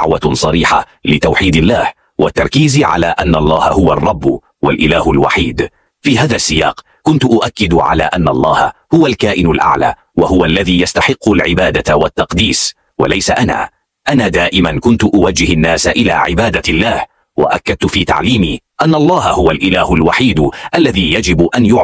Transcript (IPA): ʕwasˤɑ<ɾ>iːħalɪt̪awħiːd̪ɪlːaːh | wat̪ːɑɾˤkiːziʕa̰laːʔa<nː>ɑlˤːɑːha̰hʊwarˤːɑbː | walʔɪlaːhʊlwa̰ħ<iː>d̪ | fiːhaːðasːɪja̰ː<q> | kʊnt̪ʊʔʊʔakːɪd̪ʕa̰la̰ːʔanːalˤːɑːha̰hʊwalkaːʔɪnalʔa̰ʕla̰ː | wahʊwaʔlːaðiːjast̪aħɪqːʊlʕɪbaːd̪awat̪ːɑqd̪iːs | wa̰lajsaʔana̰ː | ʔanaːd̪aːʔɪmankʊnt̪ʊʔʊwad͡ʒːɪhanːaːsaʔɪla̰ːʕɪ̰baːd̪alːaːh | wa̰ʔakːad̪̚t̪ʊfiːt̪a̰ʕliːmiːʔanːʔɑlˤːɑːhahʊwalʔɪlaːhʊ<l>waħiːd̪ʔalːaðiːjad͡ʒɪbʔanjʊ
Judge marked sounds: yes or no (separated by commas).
yes, yes, yes, yes, yes